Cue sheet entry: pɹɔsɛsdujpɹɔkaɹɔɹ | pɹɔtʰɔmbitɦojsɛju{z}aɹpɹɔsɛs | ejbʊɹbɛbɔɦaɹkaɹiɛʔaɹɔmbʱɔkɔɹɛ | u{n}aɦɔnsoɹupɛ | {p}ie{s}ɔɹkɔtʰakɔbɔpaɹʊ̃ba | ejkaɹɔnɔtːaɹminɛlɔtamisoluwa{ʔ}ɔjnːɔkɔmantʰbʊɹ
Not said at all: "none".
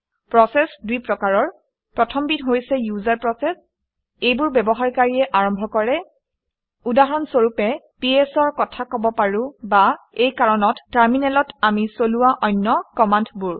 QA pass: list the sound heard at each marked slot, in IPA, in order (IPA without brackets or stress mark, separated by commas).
z, d, p, s, ʔ